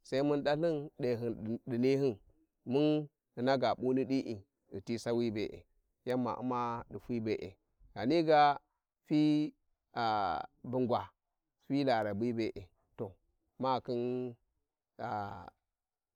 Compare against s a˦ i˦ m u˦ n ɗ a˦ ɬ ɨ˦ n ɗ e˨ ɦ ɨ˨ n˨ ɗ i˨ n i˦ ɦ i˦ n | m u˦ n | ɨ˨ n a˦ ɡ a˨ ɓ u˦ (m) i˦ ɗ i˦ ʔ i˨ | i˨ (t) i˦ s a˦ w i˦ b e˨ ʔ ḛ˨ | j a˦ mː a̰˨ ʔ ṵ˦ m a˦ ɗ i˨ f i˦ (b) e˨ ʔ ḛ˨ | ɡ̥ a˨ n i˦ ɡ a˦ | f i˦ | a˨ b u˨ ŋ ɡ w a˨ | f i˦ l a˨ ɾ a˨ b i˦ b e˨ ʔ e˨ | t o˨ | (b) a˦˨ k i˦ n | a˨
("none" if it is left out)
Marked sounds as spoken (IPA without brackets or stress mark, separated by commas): n, t, b, m